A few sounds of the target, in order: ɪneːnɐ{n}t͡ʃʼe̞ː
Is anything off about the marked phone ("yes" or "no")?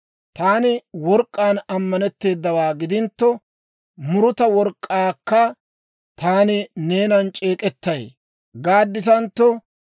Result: no